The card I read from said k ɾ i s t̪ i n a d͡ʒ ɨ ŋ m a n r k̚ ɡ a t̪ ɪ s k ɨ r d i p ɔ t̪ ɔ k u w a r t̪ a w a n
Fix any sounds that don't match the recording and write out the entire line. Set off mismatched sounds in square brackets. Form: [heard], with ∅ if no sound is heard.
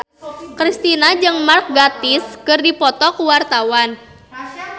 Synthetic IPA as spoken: k ɾ i s t̪ i n a d͡ʒ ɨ ŋ m a [∅] r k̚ ɡ a t̪ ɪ s k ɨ r d i p ɔ t̪ ɔ k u w a r t̪ a w a n